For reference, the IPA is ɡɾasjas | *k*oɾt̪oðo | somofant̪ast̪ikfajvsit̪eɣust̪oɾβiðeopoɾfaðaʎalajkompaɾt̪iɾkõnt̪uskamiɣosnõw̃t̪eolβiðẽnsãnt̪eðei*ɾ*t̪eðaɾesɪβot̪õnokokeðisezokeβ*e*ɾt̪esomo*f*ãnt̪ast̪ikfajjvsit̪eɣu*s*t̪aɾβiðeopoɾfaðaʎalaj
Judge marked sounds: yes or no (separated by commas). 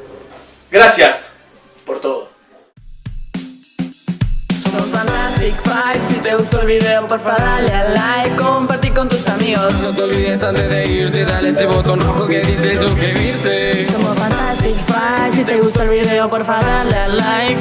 no, yes, no, yes, yes